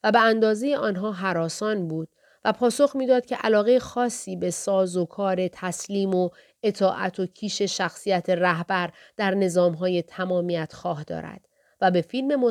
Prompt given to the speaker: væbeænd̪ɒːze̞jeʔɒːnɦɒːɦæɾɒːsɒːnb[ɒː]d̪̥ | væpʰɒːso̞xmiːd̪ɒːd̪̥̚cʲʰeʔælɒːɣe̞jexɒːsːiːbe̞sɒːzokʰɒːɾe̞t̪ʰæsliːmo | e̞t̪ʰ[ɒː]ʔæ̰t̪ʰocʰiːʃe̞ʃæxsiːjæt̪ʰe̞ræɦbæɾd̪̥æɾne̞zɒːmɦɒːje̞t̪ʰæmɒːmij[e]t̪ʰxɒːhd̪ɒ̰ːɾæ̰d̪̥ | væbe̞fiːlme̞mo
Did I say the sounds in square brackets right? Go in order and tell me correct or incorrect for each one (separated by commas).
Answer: incorrect, correct, incorrect